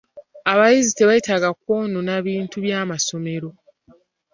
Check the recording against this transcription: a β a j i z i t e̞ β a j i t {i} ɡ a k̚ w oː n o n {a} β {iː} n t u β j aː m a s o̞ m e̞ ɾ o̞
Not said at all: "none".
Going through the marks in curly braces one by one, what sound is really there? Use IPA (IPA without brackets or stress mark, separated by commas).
a, a, iː